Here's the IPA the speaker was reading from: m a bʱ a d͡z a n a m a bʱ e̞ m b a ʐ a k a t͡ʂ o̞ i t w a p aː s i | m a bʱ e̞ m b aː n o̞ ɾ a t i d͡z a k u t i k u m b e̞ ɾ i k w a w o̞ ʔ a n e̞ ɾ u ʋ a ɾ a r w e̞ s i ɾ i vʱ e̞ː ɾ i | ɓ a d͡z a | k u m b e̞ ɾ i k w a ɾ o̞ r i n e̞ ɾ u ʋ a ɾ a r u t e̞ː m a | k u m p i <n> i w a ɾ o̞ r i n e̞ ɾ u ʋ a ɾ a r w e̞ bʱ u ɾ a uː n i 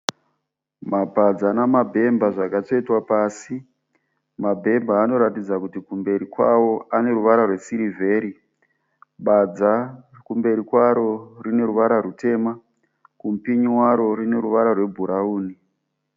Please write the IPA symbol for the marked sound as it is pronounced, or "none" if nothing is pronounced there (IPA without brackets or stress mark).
ɲ